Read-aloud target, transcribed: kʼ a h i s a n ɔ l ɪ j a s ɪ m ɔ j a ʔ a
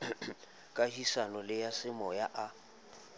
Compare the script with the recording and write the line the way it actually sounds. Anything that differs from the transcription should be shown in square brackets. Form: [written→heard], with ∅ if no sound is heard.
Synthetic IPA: kʼ a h i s a n ɔ l ɪ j a s ɪ m ɔ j a ʔ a